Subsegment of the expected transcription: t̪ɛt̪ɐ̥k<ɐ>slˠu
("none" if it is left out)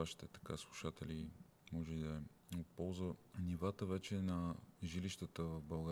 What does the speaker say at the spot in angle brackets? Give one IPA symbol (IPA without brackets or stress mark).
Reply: a